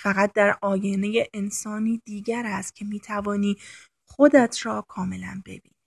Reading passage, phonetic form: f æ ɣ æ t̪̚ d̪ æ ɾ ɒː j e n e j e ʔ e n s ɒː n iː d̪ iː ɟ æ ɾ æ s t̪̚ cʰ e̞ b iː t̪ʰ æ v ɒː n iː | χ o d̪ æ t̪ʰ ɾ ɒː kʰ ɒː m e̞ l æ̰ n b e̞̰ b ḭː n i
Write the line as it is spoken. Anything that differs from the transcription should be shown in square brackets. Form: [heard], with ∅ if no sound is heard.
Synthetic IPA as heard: f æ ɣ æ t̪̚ d̪ æ ɾ ɒː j e n e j e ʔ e n s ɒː n iː d̪ iː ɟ æ ɾ æ s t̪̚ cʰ e̞ [m] iː t̪ʰ æ v ɒː n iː | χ o d̪ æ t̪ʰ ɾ ɒː kʰ ɒː m e̞ l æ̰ n b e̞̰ b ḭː n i